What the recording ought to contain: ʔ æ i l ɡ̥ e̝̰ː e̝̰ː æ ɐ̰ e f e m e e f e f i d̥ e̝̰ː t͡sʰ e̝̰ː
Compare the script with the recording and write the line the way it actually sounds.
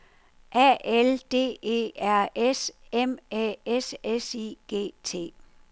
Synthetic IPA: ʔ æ e l d̥ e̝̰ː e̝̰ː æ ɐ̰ e s e m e e s e s i ɡ̥ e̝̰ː t͡sʰ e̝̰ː